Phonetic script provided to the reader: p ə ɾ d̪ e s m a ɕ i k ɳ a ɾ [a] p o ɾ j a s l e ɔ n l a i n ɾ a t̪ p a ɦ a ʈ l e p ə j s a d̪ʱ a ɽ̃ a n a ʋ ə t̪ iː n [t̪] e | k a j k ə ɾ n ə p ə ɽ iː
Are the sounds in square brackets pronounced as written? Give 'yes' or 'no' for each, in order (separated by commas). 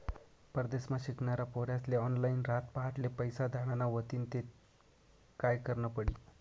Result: yes, yes